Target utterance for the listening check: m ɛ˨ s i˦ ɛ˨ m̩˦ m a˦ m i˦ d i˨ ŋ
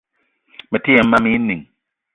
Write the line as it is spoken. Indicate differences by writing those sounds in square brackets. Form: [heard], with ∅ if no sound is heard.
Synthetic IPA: m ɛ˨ [t] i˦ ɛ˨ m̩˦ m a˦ m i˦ [n] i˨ ŋ

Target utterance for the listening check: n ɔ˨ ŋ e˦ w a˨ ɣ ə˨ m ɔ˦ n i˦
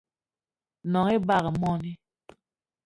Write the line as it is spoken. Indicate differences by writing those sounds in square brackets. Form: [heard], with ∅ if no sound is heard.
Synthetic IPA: n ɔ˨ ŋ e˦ [b] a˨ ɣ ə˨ m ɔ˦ n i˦

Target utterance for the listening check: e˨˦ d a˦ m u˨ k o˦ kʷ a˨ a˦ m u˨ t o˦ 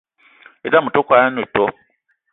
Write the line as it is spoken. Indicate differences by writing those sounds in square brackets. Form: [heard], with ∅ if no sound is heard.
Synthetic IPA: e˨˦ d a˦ m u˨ [t] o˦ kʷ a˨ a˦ [n] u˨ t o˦

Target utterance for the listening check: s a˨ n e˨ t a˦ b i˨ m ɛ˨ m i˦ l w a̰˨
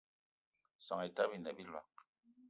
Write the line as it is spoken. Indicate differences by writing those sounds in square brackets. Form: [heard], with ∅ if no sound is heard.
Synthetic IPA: s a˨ [ŋ] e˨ t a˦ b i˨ [n] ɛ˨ [b] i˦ l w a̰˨

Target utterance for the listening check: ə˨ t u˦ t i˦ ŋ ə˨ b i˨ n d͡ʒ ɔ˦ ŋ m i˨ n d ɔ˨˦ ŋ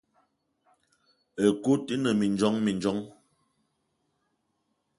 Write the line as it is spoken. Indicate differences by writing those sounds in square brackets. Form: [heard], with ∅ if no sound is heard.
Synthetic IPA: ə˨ [k] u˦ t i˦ [n] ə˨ [m] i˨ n d͡ʒ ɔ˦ ŋ m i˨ n [d͡ʒ] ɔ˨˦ ŋ

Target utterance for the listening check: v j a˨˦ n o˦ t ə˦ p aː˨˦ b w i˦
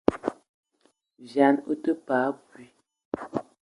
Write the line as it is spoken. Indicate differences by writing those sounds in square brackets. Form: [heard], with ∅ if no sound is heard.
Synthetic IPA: v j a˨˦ n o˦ t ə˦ p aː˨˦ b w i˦

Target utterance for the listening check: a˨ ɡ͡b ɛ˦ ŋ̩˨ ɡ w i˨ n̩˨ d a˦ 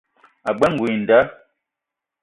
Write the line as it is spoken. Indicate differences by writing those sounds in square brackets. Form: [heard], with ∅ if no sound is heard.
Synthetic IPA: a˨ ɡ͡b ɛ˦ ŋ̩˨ ɡ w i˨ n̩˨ d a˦

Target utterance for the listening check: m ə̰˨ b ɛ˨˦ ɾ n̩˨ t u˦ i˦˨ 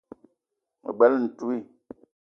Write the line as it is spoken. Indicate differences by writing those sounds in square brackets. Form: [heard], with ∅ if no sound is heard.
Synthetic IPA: m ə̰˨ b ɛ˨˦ [l] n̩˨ t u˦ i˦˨

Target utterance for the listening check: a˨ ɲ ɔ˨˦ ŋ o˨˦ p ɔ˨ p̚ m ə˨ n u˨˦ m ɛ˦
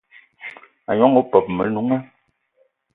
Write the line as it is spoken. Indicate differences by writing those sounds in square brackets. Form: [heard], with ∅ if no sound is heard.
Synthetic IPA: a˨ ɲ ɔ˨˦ ŋ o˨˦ p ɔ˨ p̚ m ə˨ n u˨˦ [ŋ] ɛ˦

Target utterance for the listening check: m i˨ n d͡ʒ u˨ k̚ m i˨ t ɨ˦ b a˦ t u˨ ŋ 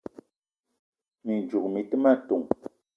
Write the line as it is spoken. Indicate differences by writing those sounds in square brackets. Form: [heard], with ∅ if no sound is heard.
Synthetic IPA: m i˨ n d͡ʒ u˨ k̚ m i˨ t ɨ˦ [m] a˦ t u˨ ŋ

